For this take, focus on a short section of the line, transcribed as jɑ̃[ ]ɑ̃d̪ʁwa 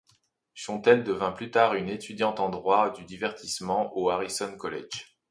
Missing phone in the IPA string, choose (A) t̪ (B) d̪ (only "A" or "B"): A